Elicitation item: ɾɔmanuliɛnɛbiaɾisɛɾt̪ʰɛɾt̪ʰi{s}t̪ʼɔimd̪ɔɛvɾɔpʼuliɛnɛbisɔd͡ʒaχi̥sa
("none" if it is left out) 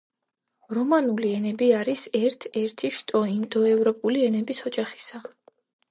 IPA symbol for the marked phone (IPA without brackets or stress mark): ʃ